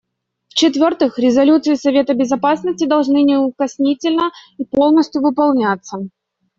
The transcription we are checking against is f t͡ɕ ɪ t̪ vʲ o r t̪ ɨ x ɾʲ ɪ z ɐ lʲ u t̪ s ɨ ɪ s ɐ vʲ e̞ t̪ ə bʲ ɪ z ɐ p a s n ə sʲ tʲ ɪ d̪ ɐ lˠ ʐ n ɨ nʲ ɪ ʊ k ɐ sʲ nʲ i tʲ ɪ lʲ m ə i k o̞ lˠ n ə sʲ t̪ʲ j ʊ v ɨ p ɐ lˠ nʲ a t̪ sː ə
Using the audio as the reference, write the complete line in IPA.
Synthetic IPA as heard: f t͡ɕ ɪ t̪ vʲ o r t̪ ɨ x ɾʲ ɪ z ɐ lʲ u t̪ s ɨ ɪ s ɐ vʲ e̞ t̪ ə bʲ ɪ z ɐ p a s n ə sʲ tʲ ɪ d̪ ɐ lˠ ʐ n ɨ nʲ ɪ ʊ k ɐ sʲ nʲ i tʲ ɪ lʲ n ə i p o̞ lˠ n ə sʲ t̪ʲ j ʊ v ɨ p ɐ lˠ nʲ a t̪ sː ə

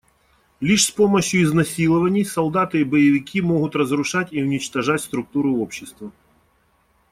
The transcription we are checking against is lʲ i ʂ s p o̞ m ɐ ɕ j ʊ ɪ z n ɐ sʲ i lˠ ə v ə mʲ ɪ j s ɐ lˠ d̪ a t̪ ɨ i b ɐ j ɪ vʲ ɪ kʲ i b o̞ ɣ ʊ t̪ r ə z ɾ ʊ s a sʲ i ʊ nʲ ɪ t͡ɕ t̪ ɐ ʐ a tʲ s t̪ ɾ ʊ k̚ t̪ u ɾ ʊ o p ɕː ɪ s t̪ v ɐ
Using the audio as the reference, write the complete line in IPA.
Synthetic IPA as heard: lʲ i ʂ s p o̞ m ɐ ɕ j ʊ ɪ z n ɐ sʲ i lˠ ə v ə nʲ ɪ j s ɐ lˠ d̪ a t̪ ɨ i b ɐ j ɪ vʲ ɪ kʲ i m o̞ ɣ ʊ t̪ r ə z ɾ ʊ ʂ a tʲ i ʊ nʲ ɪ t͡ɕ t̪ ɐ ʐ a tʲ s t̪ ɾ ʊ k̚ t̪ u ɾ ʊ o p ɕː ɪ s t̪ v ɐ

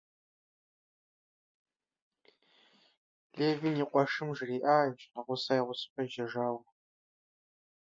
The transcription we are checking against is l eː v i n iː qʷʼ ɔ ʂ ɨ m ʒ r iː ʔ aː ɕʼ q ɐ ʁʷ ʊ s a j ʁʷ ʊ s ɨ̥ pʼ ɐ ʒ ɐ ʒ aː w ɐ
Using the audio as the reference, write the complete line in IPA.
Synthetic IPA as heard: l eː v i n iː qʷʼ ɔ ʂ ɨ m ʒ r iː ʔ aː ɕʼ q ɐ ʁʷ ʊ s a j ʁʷ ʊ s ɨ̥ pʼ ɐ ʒ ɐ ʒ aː w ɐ

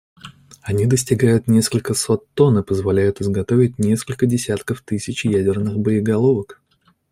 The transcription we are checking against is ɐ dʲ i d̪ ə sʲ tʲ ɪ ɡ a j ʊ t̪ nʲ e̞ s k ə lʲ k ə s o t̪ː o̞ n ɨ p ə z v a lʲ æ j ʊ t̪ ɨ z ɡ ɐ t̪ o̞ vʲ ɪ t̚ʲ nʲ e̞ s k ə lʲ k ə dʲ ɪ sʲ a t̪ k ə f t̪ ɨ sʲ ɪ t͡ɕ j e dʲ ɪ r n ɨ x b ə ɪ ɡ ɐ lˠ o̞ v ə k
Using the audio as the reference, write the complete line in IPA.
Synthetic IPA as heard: ɐ nʲ i d̪ ə sʲ tʲ ɪ ɡ a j ʊ t̪ nʲ e̞ s k ə lʲ k ə s o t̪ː o̞ n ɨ p ə z v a lʲ æ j ʊ t̪ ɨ z ɡ ɐ t̪ o̞ vʲ ɪ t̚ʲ nʲ e̞ s k ə lʲ k ə dʲ ɪ sʲ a t̪ k ə f t̪ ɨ sʲ ɪ t͡ɕ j æ dʲ ɪ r n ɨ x b ə ɪ ɡ ɐ lˠ o̞ v ə k

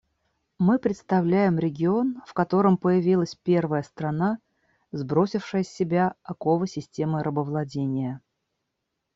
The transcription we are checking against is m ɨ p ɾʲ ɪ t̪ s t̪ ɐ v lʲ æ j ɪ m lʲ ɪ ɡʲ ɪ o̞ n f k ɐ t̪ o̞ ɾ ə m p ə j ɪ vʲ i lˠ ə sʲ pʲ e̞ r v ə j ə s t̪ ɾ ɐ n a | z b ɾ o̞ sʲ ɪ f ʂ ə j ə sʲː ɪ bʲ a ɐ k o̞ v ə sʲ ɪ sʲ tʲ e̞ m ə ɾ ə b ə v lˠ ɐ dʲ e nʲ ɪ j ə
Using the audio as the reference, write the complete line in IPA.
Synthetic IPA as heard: m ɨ p ɾʲ ɪ t̪ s t̪ ɐ v lʲ æ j ɪ m ɾʲ ɪ ɡʲ ɪ o̞ n f k ɐ t̪ o̞ ɾ ə m p ə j ɪ vʲ i lˠ ə sʲ pʲ e̞ r v ə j ə s t̪ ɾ ɐ n a | z b ɾ o̞ sʲ ɪ f ʂ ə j ə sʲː ɪ bʲ a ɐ k o̞ v ə sʲ ɪ sʲ tʲ e̞ m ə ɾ ə b ə v lˠ ɐ dʲ e nʲ ɪ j ə

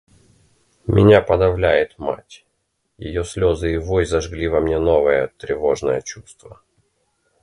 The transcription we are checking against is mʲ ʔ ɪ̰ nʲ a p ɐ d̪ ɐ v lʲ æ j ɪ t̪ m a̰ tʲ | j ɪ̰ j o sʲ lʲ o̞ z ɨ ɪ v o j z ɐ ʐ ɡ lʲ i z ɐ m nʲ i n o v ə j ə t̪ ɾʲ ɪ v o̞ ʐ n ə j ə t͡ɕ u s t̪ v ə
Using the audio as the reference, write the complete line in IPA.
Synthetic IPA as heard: mʲ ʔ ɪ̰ nʲ a p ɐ d̪ ɐ v lʲ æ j ɪ t̪ m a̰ tʲ | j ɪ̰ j o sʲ lʲ o̞ z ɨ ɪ v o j z ɐ ʐ ɡ lʲ i v ɐ m nʲ e n o v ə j ə t̪ ɾʲ ɪ v o̞ ʐ n ə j ə t͡ɕ u s t̪ v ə

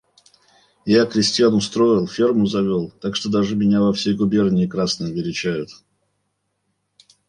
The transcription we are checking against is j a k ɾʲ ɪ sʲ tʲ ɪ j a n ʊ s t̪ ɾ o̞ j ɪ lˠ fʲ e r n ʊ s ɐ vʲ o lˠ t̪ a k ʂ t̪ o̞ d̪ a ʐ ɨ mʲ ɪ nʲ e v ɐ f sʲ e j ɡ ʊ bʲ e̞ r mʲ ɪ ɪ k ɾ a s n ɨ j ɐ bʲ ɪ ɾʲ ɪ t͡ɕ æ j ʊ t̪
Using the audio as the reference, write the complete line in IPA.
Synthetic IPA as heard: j a k ɾʲ ɪ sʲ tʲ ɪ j a n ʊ s t̪ ɾ o̞ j ɪ lˠ fʲ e r m ʊ z ɐ vʲ o lˠ t̪ a k ʂ t̪ o̞ d̪ a ʐ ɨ mʲ ɪ nʲ a v ɐ f sʲ e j ɡ ʊ bʲ e̞ r nʲ ɪ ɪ k ɾ a s n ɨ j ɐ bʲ ɪ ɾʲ ɪ t͡ɕ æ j ʊ t̪

